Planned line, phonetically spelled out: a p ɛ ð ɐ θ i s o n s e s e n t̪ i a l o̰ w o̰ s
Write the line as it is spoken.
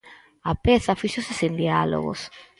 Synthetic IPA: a p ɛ θ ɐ f i ʃ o s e s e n d̪ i a l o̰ ɣ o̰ s